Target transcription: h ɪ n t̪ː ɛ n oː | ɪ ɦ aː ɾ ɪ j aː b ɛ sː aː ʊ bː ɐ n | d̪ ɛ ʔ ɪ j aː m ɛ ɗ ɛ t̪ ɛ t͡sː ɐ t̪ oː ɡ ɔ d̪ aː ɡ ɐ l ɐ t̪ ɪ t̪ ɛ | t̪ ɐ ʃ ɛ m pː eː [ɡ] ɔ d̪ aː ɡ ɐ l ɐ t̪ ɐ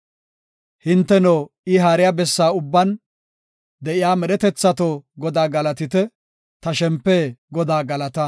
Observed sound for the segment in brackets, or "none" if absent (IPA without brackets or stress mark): ɡ